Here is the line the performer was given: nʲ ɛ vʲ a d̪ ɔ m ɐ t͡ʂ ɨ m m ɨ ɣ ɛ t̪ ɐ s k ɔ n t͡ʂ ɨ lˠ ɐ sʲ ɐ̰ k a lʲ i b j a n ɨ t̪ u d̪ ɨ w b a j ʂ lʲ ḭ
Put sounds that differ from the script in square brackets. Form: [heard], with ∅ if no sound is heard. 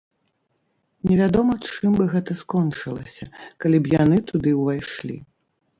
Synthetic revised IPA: nʲ ɛ vʲ a d̪ ɔ m ɐ t͡ʂ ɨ m [b] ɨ ɣ ɛ t̪ ɐ s k ɔ n t͡ʂ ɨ lˠ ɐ sʲ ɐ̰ k a lʲ i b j a n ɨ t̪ u d̪ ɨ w [v] a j ʂ lʲ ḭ

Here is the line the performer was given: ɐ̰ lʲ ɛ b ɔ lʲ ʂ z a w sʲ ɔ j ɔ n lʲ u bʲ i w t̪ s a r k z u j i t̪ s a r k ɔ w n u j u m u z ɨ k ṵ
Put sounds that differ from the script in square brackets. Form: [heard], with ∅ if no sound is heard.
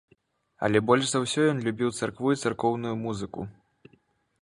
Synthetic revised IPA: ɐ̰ lʲ ɛ b ɔ lʲ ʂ z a w sʲ ɔ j ɔ n lʲ u bʲ i w t̪ s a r k [v] u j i t̪ s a r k ɔ w n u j u m u z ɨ k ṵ

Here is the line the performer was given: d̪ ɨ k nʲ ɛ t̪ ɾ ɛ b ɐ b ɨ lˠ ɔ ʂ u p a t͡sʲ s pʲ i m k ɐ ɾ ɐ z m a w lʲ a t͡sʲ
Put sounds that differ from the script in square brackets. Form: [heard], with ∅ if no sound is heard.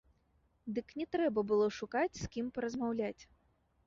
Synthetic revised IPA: d̪ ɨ k nʲ ɛ t̪ ɾ ɛ b ɐ b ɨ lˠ ɔ ʂ u [k] a t͡sʲ s [kʲ] i m [p] ɐ ɾ ɐ z m a w lʲ a t͡sʲ

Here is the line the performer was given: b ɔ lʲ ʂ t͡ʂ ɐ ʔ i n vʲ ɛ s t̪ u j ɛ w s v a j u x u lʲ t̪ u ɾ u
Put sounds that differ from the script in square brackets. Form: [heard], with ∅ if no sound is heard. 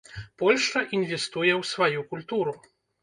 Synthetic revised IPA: [p] ɔ lʲ ʂ t͡ʂ ɐ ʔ i n vʲ ɛ s t̪ u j ɛ w s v a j u [k] u lʲ t̪ u ɾ u

